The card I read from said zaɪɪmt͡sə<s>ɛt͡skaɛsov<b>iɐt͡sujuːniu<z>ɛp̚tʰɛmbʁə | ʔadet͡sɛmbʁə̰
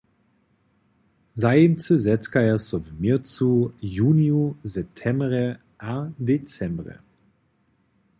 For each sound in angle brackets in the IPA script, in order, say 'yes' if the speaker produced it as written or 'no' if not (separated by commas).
no, no, yes